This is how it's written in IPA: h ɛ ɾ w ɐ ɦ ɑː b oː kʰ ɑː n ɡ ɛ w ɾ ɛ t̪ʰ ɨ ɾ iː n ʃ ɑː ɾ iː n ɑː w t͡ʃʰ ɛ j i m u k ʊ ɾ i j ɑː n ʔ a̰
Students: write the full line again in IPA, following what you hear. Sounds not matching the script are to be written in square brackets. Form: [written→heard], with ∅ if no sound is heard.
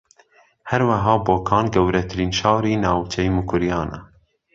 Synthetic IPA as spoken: h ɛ ɾ w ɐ ɦ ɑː b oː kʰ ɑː n ɡ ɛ w ɾ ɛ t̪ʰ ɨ ɾ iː n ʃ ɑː ɾ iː n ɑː w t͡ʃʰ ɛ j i m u k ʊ ɾ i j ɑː n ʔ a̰